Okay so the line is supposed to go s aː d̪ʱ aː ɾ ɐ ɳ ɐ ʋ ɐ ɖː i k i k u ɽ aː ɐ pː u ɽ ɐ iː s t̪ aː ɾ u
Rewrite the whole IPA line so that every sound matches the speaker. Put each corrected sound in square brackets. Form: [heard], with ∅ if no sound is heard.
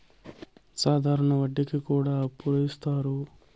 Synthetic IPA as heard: s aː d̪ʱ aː ɾ ɐ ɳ ɐ ʋ ɐ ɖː i k i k [uː] ɽ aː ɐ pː u [ɾ] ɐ [i] s t̪ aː ɾ u